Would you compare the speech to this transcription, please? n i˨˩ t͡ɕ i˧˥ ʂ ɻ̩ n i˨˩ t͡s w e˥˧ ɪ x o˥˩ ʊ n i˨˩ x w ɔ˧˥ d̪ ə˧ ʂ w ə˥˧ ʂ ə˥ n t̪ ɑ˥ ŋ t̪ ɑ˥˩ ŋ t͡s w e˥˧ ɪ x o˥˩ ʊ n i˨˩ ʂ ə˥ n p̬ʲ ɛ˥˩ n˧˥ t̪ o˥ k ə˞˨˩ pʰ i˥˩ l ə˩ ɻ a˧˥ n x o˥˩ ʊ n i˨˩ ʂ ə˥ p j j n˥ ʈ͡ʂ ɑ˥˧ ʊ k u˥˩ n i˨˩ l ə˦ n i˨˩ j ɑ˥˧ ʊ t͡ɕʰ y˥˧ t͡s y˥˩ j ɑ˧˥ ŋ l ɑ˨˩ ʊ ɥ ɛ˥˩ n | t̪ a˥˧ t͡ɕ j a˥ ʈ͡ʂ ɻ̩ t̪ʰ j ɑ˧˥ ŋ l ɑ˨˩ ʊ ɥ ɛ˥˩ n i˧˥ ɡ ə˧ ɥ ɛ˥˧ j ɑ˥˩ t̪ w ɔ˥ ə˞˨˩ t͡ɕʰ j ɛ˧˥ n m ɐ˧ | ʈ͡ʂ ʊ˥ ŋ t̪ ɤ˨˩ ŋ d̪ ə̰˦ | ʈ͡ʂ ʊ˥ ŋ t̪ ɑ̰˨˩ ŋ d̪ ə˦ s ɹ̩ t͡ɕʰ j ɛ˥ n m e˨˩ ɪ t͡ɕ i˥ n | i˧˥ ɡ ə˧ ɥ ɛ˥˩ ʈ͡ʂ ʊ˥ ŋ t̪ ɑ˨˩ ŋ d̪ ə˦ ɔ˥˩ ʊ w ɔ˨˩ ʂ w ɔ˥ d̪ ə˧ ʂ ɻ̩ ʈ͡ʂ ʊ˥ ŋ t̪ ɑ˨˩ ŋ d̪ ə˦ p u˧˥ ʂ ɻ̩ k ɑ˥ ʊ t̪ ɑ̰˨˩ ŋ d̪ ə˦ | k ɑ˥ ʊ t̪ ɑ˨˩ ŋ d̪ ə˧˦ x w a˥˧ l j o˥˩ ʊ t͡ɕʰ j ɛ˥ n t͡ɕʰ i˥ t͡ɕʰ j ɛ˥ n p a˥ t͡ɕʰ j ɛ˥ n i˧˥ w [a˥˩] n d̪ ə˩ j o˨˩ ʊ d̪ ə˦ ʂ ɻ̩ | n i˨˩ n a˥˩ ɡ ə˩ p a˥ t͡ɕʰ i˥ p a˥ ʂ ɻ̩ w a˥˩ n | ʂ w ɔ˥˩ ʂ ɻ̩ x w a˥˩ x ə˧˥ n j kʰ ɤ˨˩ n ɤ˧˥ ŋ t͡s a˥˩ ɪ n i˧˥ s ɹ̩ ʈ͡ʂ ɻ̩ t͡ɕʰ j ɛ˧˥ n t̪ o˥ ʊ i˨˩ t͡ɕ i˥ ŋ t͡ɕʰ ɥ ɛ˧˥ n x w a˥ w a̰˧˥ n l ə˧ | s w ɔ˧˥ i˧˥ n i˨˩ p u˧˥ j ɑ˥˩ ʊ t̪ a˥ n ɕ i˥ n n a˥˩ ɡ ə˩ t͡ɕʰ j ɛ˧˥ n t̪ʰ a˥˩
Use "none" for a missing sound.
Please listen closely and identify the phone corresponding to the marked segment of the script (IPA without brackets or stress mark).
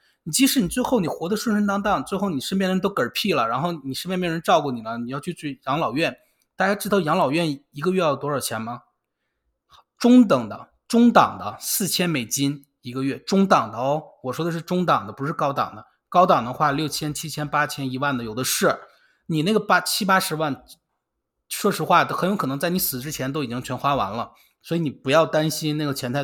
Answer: a˥˩